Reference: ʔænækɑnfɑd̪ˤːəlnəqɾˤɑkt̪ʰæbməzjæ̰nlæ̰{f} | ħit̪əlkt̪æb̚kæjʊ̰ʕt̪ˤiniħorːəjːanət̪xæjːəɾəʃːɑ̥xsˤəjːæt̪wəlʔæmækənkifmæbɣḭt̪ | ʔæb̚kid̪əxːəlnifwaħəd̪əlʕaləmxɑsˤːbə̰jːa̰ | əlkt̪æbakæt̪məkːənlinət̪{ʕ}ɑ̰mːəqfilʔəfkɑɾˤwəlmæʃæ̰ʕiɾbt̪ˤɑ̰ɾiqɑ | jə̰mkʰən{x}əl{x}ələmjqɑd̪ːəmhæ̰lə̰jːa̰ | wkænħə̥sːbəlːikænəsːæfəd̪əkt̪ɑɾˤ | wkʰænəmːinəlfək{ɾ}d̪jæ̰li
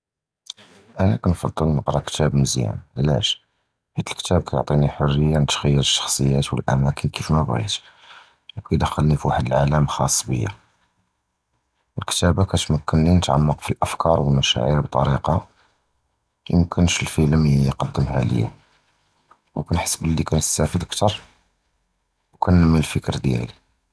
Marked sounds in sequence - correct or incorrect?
incorrect: ʃ, correct, incorrect: ʃ, incorrect: f, correct

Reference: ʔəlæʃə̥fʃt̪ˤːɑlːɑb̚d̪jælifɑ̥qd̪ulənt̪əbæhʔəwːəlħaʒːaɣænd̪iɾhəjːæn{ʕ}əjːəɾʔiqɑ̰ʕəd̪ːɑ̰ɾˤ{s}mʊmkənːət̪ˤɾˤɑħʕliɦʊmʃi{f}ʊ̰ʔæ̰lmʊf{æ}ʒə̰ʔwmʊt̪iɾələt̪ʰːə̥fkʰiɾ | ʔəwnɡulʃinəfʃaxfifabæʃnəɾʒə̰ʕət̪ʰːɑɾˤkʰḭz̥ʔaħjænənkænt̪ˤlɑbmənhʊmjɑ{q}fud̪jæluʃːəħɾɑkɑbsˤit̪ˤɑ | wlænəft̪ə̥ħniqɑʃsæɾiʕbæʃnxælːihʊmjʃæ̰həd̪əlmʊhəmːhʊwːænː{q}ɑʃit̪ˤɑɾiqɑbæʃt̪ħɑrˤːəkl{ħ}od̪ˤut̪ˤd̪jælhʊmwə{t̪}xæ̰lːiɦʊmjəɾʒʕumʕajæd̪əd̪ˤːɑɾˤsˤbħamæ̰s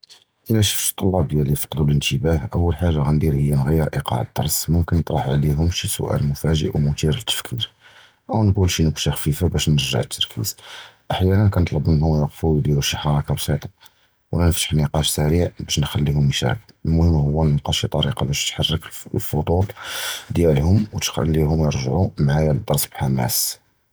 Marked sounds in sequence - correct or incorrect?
incorrect: ɣ, correct, incorrect: s, correct, correct, correct, incorrect: f, correct

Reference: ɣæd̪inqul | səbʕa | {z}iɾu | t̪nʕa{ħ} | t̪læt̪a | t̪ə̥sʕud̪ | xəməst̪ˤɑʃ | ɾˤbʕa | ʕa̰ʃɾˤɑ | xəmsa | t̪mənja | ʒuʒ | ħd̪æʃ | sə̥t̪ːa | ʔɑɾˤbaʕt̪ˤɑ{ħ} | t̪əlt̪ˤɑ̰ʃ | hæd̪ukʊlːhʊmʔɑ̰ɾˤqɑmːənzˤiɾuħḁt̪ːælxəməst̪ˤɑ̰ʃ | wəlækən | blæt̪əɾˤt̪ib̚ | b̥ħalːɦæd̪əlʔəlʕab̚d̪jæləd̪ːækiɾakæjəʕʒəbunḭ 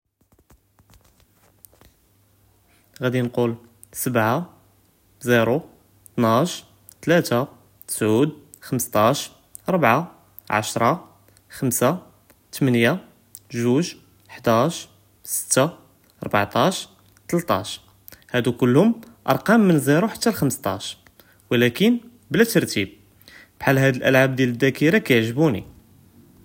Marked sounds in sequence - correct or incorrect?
correct, incorrect: ʃ, incorrect: ʃ

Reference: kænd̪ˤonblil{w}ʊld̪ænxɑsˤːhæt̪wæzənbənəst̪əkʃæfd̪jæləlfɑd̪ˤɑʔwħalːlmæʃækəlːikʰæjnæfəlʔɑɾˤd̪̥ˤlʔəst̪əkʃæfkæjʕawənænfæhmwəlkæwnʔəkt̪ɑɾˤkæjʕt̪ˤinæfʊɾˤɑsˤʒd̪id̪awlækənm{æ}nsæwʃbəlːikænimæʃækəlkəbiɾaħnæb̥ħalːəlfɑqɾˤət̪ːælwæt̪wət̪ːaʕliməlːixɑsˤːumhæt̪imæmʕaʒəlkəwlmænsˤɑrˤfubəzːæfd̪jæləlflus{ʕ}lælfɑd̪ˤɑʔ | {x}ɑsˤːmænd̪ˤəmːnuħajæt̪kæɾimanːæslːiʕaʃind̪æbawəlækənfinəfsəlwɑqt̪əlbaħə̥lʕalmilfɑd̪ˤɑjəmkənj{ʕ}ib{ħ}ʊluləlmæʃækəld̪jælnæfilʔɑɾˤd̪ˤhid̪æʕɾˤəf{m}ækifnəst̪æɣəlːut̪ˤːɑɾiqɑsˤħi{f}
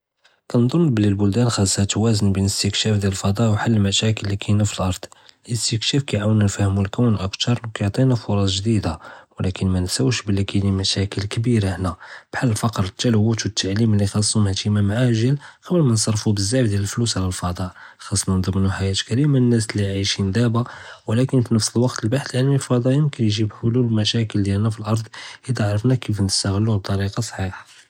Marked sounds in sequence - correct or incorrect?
incorrect: b, correct, correct, correct, incorrect: ʒ, correct, incorrect: n, incorrect: ħ

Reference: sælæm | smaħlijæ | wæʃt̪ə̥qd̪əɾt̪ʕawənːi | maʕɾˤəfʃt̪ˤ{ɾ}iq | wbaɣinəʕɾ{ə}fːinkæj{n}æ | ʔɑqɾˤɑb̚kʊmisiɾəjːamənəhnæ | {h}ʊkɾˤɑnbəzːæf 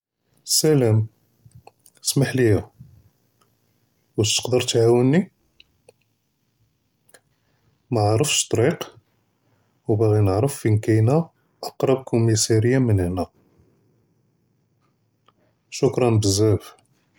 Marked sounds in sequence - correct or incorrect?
correct, correct, correct, incorrect: ʃ

